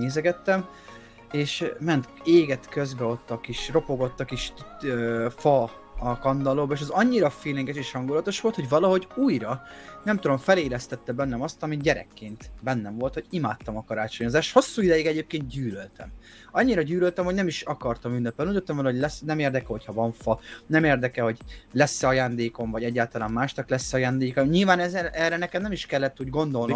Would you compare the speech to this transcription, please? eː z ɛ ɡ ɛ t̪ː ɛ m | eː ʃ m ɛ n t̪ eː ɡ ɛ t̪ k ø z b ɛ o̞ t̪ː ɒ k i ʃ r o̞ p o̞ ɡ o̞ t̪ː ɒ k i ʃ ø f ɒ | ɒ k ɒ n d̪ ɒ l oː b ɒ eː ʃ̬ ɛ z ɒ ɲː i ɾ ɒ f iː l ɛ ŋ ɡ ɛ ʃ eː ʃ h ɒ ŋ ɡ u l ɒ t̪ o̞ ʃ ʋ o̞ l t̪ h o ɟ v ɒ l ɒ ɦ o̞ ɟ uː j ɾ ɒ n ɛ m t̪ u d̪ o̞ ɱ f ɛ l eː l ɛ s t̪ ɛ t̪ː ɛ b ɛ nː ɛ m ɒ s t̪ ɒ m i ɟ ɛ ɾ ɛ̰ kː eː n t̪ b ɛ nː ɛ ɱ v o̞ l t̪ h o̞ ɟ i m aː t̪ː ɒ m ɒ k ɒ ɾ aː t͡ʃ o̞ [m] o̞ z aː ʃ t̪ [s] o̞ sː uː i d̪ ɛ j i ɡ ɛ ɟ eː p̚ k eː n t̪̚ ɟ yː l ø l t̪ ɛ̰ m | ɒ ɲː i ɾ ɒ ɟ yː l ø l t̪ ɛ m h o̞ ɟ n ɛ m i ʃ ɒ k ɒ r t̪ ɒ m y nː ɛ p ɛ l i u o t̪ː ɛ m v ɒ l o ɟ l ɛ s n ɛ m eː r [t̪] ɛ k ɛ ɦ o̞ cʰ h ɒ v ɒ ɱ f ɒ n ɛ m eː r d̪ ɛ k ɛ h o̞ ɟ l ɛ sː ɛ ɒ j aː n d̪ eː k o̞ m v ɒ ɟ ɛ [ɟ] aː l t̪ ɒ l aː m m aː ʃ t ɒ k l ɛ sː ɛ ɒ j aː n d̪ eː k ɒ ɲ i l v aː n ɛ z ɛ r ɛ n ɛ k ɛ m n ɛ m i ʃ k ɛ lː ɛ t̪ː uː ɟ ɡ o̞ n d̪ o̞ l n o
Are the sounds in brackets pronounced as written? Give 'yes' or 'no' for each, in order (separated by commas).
no, no, no, no